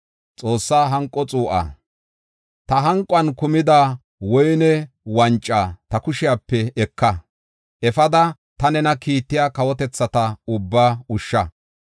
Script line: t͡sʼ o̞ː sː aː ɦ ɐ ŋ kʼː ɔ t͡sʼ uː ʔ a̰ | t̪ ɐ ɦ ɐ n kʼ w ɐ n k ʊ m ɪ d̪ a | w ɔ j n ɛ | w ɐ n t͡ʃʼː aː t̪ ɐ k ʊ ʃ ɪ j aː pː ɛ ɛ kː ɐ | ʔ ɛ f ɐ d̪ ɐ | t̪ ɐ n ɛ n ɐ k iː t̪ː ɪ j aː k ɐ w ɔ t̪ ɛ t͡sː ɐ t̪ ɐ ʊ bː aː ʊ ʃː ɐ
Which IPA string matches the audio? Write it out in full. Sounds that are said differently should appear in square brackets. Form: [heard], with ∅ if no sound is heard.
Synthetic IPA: t͡sʼ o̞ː sː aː ɦ ɐ ŋ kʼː ɔ t͡sʼ uː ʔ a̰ | t̪ ɐ ɦ ɐ [ŋ] kʼ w ɐ n k ʊ m ɪ d̪ a | w ɔ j n ɛ | w ɐ n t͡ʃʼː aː t̪ ɐ k ʊ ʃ ɪ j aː pː ɛ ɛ kː ɐ | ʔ ɛ f ɐ d̪ ɐ | t̪ ɐ n ɛ n ɐ k iː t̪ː ɪ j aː k ɐ w ɔ t̪ ɛ t͡sː ɐ t̪ ɐ ʊ bː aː ʊ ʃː ɐ

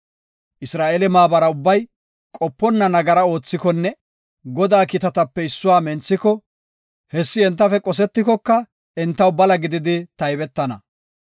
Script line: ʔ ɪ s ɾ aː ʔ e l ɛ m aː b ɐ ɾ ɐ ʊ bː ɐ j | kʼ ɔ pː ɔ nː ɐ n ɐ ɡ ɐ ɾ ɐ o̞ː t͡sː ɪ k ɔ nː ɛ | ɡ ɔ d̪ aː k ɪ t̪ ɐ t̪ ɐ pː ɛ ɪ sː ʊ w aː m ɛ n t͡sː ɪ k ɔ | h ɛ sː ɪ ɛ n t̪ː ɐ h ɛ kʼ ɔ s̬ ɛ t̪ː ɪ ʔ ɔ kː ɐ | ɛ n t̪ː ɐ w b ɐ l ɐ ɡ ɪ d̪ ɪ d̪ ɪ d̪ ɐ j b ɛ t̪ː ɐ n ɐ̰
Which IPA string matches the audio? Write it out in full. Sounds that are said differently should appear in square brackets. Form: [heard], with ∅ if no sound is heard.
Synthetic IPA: ʔ ɪ s ɾ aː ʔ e l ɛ m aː b ɐ ɾ ɐ ʊ bː ɐ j | kʼ ɔ pː ɔ nː ɐ n ɐ ɡ ɐ ɾ ɐ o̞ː t͡sː ɪ k ɔ nː ɛ | ɡ ɔ d̪ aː k ɪ t̪ ɐ t̪ ɐ pː ɛ ɪ sː ʊ w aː m ɛ n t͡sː ɪ k ɔ | h ɛ sː ɪ ɛ n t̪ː ɐ [f] ɛ kʼ ɔ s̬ ɛ t̪ː ɪ [k] ɔ kː ɐ | ɛ n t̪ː ɐ w b ɐ l ɐ ɡ ɪ d̪ ɪ d̪ ɪ [t̪] ɐ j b ɛ t̪ː ɐ n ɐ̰

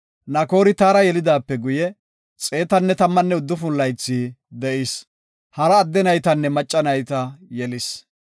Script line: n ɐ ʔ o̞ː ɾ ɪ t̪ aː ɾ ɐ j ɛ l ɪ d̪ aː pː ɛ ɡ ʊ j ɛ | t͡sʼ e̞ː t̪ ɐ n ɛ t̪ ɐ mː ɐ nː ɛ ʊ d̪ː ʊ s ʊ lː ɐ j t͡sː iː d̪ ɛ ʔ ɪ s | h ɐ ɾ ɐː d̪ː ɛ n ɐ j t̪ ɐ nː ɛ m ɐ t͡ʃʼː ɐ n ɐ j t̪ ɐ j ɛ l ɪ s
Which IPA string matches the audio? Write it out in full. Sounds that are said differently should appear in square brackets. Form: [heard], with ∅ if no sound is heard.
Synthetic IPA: n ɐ [k] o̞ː ɾ ɪ t̪ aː ɾ ɐ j ɛ l ɪ d̪ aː pː ɛ ɡ ʊ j ɛ | t͡sʼ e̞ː t̪ ɐ [nː] ɛ t̪ ɐ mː ɐ nː ɛ ʊ d̪ː ʊ [f] ʊ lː ɐ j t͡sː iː d̪ ɛ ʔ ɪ s | h ɐ ɾ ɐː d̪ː ɛ n ɐ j t̪ ɐ nː ɛ m ɐ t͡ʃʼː ɐ n ɐ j t̪ ɐ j ɛ l ɪ s

